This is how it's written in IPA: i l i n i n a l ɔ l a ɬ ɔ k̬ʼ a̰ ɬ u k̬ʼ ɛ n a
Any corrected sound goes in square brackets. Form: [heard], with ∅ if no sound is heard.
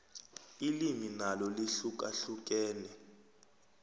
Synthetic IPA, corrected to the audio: i l i [m] i n a l ɔ l [i] ɬ [u] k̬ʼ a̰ ɬ u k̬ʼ [ɛː] n [ɛ]